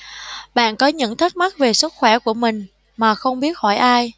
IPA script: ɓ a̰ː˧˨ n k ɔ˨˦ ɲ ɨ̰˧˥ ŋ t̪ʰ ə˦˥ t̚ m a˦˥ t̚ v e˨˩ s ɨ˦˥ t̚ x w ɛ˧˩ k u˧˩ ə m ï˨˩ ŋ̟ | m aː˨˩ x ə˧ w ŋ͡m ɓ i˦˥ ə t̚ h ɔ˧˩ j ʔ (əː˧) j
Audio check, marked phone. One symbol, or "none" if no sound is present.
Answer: aː˧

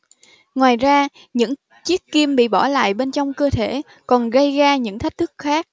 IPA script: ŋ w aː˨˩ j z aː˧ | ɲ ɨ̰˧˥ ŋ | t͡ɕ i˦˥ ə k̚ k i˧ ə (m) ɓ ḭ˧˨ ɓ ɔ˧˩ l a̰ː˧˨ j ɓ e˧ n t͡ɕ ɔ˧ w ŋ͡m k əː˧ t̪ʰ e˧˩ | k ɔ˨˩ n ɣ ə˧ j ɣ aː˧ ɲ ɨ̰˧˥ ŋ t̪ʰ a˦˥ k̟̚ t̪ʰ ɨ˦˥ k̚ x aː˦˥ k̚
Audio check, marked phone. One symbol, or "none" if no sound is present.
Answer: m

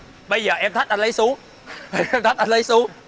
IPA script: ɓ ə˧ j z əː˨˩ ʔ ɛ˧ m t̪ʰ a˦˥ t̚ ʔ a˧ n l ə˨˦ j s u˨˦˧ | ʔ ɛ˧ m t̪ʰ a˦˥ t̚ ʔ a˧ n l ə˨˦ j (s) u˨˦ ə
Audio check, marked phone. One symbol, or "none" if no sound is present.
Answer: s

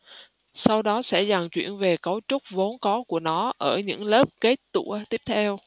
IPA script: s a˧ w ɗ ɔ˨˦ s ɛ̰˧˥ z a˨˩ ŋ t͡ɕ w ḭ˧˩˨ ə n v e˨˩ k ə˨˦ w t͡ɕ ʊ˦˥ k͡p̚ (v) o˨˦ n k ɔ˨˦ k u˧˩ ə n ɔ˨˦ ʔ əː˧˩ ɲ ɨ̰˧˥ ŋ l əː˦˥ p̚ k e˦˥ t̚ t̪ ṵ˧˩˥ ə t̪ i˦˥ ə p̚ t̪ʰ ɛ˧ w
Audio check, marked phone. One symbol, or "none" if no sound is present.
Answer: v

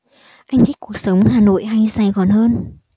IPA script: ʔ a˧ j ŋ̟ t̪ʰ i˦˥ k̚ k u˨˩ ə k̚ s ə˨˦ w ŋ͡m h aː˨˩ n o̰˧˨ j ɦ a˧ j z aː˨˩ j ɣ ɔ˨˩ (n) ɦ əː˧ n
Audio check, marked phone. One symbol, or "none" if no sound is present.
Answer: n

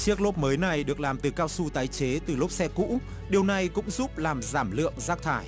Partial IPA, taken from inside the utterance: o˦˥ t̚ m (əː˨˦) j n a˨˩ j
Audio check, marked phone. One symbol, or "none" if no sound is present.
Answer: əː˨˦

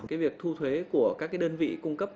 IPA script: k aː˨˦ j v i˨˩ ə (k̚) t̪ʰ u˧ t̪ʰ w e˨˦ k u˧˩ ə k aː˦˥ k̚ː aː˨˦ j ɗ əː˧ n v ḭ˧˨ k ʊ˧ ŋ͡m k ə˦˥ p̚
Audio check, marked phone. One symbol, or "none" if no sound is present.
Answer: k̚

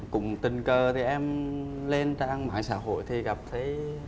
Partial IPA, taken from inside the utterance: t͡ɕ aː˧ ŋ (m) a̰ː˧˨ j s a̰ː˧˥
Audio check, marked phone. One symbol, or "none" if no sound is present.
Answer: m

